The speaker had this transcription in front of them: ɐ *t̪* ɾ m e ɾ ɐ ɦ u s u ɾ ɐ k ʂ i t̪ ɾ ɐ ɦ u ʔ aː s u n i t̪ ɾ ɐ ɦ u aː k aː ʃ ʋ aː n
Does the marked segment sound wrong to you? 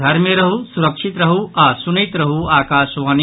yes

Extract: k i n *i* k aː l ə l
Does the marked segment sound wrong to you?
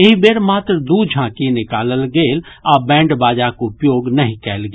yes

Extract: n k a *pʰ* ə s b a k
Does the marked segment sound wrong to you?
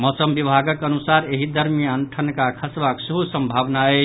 yes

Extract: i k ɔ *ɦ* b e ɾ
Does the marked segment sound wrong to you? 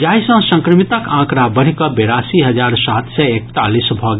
yes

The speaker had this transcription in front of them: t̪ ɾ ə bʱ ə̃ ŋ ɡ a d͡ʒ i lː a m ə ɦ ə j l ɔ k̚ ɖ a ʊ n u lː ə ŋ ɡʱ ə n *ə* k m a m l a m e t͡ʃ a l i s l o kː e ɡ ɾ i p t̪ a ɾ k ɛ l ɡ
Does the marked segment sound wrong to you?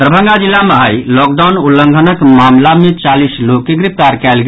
no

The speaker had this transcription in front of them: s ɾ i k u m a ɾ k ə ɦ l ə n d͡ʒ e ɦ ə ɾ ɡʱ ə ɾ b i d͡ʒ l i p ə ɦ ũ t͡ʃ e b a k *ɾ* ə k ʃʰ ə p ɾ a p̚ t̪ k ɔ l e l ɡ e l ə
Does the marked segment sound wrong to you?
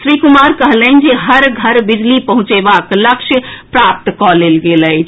yes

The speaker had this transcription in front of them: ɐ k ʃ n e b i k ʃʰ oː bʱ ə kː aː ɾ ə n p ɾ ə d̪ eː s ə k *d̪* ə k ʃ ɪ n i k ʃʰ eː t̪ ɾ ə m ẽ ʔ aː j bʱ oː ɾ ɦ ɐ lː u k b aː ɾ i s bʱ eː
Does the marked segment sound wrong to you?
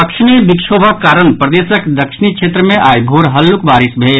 no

